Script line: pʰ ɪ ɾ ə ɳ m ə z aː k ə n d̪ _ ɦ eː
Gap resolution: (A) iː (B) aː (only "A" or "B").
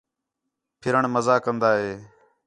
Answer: B